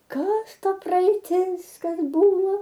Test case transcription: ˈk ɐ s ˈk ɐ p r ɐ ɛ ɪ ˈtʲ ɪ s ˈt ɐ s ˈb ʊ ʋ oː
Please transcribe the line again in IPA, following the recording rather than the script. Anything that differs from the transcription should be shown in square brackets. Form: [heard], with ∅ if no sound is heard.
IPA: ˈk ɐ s [ˈt] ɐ p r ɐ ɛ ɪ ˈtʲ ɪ s [ˈk] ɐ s ˈb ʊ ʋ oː

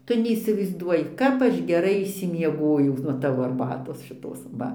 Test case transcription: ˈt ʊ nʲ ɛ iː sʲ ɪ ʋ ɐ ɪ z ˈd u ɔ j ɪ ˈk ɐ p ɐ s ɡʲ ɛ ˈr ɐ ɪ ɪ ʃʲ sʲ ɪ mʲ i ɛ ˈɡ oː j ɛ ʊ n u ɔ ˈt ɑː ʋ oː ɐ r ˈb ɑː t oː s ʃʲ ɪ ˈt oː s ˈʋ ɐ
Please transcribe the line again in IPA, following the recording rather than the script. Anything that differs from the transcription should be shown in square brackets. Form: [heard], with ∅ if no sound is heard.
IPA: ˈt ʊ nʲ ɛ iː sʲ ɪ ʋ ɐ ɪ z ˈd u ɔ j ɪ ˈk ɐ p ɐ [ʃ] ɡʲ ɛ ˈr ɐ ɪ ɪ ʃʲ sʲ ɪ mʲ i ɛ ˈɡ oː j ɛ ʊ n u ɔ ˈt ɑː ʋ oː ɐ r ˈb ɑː t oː s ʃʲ ɪ ˈt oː s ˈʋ ɐ

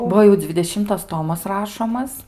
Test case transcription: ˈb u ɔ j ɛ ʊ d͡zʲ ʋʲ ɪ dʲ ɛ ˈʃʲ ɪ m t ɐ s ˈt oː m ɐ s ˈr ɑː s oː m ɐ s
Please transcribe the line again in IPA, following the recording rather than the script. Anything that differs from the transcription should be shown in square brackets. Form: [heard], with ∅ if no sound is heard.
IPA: ˈb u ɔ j ɛ ʊ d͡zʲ ʋʲ ɪ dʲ ɛ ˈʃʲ ɪ m t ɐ s ˈt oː m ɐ s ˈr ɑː [ʃ] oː m ɐ s

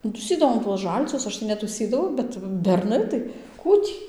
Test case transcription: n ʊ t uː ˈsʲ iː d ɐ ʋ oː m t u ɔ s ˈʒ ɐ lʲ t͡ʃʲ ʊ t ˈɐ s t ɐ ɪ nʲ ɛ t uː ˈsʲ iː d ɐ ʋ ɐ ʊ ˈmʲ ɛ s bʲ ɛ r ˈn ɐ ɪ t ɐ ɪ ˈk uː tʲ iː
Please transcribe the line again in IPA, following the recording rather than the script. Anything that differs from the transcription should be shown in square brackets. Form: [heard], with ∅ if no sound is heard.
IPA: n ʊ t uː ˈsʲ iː d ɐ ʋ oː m t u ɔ s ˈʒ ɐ lʲ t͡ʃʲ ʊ [s] ˈɐ [ʃ] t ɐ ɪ nʲ ɛ t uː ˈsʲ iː d ɐ ʋ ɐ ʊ [ˈbʲ] ɛ [t] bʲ ɛ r ˈn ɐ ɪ t ɐ ɪ ˈk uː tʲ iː

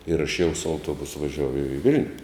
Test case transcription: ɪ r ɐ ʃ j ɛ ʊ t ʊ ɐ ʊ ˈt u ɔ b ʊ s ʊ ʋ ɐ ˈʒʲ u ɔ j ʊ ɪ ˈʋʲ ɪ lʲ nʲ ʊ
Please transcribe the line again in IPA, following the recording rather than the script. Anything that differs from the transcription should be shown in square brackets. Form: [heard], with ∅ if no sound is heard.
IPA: ɪ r ɐ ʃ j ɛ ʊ [s] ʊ ɐ ʊ ˈt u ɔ b ʊ s ʊ ʋ ɐ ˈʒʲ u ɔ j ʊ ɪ ˈʋʲ ɪ lʲ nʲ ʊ

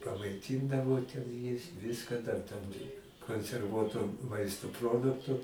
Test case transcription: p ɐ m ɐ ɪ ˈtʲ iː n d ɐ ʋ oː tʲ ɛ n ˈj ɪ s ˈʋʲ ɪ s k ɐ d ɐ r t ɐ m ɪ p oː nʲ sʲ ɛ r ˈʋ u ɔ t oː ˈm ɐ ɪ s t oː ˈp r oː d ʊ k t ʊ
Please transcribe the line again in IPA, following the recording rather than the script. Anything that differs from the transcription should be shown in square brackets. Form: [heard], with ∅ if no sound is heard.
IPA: p ɐ m ɐ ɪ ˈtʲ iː n d ɐ ʋ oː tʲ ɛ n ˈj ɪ s ˈʋʲ ɪ s k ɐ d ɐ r t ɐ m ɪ [k] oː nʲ sʲ ɛ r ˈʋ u ɔ t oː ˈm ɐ ɪ s t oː ˈp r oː d ʊ k t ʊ

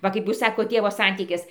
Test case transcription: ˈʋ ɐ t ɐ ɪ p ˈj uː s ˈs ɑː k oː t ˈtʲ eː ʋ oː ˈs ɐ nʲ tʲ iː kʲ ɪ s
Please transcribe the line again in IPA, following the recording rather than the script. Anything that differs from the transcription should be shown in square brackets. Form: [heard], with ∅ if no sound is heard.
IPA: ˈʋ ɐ [k] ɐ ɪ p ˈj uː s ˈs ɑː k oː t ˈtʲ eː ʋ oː ˈs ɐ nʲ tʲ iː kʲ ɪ s

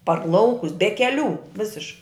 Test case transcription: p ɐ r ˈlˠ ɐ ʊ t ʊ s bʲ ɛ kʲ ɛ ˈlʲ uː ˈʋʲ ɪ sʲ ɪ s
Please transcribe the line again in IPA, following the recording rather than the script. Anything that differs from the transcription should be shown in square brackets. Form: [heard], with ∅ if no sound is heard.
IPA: p ɐ r ˈlˠ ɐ ʊ [k] ʊ s bʲ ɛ kʲ ɛ ˈlʲ uː ˈʋʲ ɪ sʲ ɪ [ʃ]

